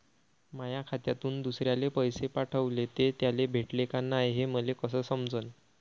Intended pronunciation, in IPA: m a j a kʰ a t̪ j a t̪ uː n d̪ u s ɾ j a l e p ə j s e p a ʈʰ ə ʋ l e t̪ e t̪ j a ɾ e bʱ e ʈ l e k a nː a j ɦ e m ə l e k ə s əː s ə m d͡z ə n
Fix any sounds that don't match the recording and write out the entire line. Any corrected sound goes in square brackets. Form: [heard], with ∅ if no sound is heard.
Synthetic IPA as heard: m a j a kʰ a t̪ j a t̪ uː n d̪ u s ɾ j a l e p ə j s e p a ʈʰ ə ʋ l e t̪ e t̪ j a [l] e bʱ e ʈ l e k a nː a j ɦ e m ə l e k ə s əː s ə m d͡z ə n